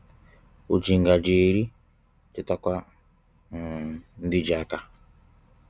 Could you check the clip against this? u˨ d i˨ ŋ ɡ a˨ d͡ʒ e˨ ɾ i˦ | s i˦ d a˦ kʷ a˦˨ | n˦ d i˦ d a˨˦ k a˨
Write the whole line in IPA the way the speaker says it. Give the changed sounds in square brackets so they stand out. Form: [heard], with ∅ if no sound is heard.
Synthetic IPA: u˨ [d͡ʒ] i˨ ŋ ɡ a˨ d͡ʒ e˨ ɾ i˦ | [t] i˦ [t] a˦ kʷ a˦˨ | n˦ d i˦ [d͡ʒ] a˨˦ k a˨